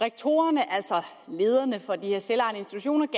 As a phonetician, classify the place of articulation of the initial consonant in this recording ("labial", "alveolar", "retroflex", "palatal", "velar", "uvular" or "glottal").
uvular